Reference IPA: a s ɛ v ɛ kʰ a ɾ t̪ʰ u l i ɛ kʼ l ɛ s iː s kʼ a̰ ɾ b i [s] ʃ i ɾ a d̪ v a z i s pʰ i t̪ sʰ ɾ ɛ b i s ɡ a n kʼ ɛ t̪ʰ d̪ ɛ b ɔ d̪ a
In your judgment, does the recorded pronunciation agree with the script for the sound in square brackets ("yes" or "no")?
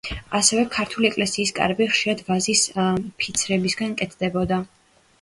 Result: no